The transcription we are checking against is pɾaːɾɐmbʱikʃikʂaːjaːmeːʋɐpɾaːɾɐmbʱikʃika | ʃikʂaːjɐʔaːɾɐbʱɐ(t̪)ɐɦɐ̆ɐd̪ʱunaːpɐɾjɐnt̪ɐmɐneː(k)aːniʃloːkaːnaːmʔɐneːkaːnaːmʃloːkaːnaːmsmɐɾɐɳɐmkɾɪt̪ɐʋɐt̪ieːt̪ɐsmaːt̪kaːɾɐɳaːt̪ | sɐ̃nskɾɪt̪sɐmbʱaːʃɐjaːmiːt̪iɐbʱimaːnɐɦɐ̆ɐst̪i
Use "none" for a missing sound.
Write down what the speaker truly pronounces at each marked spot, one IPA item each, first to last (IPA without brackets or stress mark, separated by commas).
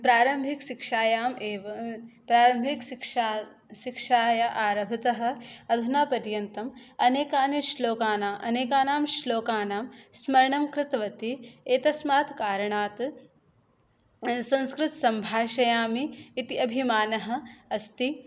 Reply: t̪, k